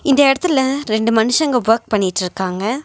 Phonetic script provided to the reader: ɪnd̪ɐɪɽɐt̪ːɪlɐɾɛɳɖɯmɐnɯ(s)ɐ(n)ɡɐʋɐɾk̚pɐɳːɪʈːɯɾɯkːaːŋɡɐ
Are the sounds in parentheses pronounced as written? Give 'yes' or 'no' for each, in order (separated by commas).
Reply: no, no